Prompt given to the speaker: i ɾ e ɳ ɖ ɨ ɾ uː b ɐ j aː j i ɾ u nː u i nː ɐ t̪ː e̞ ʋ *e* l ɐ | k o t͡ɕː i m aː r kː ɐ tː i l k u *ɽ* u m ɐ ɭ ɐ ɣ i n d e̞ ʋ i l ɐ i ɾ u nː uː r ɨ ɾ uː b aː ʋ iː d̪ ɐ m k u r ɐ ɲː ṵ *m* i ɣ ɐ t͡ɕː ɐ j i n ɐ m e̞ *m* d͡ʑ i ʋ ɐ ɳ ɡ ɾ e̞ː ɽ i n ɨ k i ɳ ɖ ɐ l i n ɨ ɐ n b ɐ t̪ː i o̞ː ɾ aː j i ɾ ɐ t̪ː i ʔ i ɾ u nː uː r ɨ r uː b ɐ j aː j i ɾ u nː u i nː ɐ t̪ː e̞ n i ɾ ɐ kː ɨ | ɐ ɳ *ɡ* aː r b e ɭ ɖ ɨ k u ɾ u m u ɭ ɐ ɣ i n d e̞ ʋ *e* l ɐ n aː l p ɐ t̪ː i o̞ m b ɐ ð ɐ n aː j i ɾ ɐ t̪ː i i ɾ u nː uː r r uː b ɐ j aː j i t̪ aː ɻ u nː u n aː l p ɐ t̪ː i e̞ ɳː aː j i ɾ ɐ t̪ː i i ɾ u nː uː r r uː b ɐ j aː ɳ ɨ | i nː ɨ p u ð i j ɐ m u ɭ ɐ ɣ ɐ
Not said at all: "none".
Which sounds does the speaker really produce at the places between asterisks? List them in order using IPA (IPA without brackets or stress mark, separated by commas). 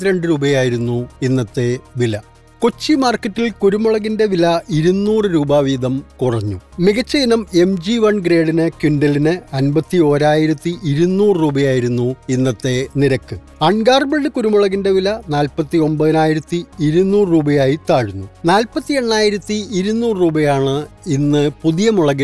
i, ɾ, m, m, ɡ, i